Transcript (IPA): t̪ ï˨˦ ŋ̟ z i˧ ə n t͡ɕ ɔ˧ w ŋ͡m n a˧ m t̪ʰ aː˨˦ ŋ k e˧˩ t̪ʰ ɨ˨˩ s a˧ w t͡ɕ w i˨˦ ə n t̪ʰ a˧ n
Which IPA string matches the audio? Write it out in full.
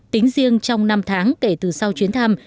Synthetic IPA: t̪ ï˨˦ ŋ̟ z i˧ ə ŋ t͡ɕ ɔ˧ w ŋ͡m n a˧ m t̪ʰ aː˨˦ ŋ k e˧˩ t̪ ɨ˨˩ s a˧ w t͡ɕ w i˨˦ ə n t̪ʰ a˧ m

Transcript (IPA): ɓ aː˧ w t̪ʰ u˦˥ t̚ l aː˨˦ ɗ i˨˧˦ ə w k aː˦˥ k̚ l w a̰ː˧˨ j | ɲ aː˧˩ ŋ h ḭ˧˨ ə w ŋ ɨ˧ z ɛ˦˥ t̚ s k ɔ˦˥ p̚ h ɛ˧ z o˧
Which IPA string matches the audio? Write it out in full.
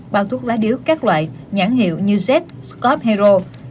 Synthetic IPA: ɓ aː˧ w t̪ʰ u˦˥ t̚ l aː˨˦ ɗ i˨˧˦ ə w k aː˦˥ k̚ l w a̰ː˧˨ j | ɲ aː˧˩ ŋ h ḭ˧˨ ə w ɲ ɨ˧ z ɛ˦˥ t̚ s k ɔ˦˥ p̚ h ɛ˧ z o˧

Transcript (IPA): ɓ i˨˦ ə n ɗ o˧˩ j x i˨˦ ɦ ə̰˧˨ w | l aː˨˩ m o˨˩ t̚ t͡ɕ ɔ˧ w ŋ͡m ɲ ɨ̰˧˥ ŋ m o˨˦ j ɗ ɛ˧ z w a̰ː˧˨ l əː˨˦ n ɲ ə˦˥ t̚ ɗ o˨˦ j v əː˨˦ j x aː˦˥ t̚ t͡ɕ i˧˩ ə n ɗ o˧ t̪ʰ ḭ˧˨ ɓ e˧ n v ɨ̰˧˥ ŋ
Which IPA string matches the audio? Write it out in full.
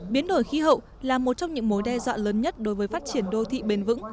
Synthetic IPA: ɓ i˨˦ ə n ɗ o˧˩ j x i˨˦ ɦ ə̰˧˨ w | l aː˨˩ m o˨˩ t̚ t͡ɕ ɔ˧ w ŋ͡m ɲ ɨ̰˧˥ ŋ m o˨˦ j ɗ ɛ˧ z w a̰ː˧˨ l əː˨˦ n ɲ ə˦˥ t̚ ɗ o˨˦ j v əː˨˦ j f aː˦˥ t̚ t͡ɕ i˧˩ ə n ɗ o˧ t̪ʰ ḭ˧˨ ɓ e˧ n v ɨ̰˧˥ ŋ

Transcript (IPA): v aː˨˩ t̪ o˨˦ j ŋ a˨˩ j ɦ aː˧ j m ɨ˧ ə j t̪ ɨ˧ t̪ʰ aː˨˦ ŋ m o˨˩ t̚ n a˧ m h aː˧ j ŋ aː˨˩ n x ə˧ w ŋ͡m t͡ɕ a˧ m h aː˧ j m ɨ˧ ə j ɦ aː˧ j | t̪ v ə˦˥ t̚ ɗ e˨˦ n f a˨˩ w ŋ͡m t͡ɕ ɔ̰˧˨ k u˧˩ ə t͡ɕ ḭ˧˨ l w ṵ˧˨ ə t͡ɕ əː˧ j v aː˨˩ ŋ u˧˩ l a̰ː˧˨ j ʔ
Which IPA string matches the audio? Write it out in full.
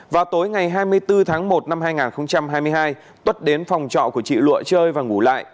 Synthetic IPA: v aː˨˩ t̪ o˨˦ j ŋ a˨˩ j ɦ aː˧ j m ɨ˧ ə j t̪ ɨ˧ t̪ʰ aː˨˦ ŋ m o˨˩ t̚ n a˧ m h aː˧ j ŋ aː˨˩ n x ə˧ w ŋ͡m t͡ɕ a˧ m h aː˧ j m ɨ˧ ə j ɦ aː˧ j | t̪ w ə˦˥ t̚ ɗ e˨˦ n f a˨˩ w ŋ͡m t͡ɕ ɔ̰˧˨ k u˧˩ ə t͡ɕ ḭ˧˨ l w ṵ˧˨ ə t͡ɕ əː˧ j v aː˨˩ ŋ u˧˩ l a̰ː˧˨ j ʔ

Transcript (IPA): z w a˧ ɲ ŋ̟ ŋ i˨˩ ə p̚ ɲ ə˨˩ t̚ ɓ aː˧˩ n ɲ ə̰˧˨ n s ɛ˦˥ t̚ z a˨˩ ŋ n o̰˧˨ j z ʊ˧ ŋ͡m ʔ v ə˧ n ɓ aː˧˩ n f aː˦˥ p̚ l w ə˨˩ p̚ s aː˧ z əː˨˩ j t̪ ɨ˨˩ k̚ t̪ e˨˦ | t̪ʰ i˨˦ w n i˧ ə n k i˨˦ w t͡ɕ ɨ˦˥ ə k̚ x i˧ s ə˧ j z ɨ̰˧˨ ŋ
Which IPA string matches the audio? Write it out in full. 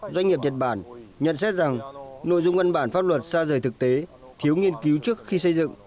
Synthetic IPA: z w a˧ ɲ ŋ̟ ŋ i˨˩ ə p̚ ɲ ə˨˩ t̚ ɓ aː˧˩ n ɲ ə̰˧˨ n s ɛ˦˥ t̚ z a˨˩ ŋ n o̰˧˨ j z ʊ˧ ŋ͡m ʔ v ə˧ n ɓ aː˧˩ n f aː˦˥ p̚ l w ə˨˩ t̚ s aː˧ z əː˨˩ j t̪ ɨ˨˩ k̚ t̪ e˨˦ | t̪ʰ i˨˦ w ŋ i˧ ə n k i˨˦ w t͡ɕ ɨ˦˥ ə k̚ x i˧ s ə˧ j z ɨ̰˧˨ ŋ

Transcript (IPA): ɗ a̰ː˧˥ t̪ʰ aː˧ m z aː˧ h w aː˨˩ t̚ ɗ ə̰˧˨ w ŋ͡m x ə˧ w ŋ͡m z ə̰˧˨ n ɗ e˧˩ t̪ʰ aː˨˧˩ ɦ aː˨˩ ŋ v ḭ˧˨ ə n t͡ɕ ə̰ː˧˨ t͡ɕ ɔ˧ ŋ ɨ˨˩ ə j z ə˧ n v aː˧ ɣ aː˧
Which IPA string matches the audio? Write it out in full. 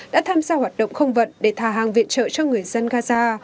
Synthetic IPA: ɗ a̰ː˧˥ t̪ʰ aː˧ m z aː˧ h w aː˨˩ t̚ ɗ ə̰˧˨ w ŋ͡m x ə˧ w ŋ͡m v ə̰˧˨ n ɗ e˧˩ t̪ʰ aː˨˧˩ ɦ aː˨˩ ŋ v ḭ˧˨ ə n t͡ɕ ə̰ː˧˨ t͡ɕ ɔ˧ ŋ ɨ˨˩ ə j z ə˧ n ɣ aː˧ z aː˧

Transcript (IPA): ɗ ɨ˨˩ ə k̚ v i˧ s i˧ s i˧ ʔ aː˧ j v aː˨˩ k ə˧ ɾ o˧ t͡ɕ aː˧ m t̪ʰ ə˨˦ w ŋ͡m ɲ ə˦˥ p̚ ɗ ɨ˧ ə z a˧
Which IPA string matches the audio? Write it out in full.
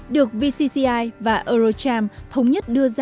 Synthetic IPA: ɗ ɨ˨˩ ə k̚ v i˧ s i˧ s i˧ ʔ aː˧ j v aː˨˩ ʔ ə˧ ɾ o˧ t͡ɕ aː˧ m t̪ʰ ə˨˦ w ŋ͡m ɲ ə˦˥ t̚ ɗ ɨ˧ ə z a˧

